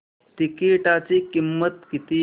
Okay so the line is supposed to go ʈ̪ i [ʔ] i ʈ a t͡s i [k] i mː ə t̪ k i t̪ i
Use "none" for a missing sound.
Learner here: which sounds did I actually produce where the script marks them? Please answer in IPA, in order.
k, k

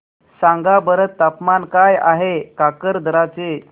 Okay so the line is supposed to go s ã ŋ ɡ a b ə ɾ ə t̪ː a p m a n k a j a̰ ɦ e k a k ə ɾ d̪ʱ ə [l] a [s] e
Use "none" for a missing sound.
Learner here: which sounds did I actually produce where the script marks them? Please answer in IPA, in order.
ɾ, t͡s

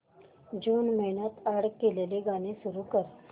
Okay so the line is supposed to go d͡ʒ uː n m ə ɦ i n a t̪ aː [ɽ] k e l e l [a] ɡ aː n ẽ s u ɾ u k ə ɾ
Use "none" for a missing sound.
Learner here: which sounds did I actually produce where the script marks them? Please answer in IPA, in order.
ɽ, e

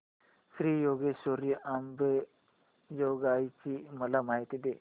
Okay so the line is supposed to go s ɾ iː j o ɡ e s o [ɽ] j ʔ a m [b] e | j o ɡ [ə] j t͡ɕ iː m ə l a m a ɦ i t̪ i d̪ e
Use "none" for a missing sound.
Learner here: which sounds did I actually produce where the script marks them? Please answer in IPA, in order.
ɾ, b, a

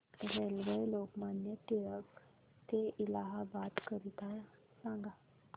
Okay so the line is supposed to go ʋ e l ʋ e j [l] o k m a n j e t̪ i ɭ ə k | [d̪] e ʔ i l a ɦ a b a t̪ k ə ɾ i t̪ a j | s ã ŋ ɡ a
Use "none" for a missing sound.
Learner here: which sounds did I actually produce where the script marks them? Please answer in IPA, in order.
l, t̪

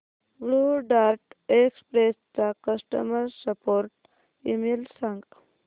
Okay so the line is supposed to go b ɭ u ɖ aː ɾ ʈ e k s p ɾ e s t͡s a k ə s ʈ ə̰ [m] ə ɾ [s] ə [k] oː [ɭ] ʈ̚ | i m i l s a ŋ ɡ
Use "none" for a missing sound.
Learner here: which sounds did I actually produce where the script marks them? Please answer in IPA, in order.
m, s, p, ɾ

